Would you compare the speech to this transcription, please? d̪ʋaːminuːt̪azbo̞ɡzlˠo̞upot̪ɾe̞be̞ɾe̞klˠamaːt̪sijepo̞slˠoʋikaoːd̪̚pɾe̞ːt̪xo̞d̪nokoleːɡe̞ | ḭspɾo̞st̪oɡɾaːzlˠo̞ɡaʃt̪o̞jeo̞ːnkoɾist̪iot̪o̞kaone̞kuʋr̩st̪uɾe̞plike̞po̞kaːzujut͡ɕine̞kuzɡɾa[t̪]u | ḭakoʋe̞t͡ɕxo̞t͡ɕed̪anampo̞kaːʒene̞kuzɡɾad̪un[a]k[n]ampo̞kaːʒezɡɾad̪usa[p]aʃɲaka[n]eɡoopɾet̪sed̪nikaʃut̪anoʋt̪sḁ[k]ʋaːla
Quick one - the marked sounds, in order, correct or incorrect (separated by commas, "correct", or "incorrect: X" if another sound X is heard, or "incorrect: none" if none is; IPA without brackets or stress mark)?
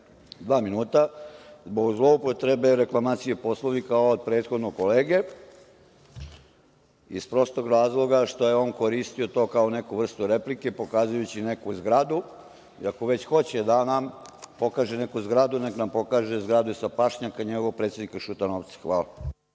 incorrect: d̪, incorrect: e, correct, correct, incorrect: ɲ, incorrect: x